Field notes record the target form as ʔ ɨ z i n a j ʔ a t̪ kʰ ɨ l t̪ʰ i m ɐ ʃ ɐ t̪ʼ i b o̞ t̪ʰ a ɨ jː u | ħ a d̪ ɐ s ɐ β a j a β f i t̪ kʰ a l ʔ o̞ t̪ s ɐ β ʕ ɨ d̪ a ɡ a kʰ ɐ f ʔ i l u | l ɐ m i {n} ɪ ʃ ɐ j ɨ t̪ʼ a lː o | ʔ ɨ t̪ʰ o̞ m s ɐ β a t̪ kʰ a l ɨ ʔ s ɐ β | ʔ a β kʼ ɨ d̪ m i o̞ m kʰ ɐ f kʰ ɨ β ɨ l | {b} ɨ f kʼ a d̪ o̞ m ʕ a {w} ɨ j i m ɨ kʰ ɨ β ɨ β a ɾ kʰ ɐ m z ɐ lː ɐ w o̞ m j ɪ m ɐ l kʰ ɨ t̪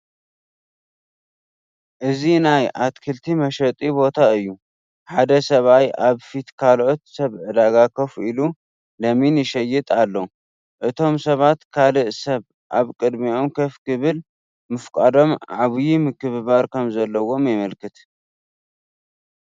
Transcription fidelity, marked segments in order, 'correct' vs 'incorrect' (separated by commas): correct, incorrect, incorrect